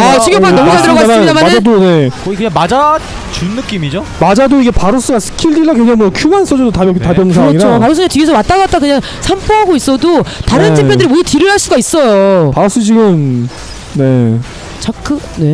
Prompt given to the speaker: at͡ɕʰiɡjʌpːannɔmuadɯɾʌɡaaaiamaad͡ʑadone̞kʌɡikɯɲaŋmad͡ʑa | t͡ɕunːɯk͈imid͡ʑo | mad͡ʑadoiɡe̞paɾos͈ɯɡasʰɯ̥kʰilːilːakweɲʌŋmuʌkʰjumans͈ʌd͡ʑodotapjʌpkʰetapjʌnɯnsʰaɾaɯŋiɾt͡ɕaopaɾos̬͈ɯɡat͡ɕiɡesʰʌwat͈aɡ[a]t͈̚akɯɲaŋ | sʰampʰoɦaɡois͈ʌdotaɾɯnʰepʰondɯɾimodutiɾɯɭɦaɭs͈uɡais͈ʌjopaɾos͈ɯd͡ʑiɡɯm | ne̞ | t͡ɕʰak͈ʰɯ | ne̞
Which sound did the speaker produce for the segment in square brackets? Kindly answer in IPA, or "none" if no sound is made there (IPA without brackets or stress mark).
a